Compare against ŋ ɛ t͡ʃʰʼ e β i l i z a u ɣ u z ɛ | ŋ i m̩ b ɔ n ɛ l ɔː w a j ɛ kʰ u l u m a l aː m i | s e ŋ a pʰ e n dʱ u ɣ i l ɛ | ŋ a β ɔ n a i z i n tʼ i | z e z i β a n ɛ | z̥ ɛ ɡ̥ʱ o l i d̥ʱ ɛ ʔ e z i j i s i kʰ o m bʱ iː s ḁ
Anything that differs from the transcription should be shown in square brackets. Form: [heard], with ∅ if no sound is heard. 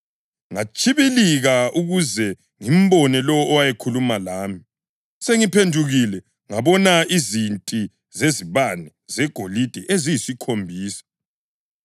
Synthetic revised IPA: ŋ [a] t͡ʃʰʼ [i] β i l i [ɣ] a u ɣ u z ɛ | ŋ i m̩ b ɔ n ɛ l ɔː w a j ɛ kʰ u l u m a l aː m i | s e ŋ [i] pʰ e n dʱ u ɣ i l ɛ | ŋ a β ɔ n a i z i n tʼ i | z e z i β a n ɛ | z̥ ɛ ɡ̥ʱ o l i d̥ʱ ɛ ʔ e z i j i s i kʰ o m bʱ iː s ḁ